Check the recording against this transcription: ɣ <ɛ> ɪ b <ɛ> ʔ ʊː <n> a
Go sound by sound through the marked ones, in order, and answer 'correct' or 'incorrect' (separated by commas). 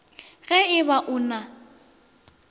correct, incorrect, correct